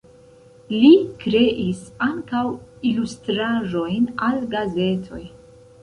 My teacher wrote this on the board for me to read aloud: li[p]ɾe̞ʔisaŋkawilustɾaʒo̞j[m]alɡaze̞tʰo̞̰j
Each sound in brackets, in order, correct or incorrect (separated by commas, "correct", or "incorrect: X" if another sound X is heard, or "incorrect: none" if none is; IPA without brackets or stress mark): incorrect: k, incorrect: n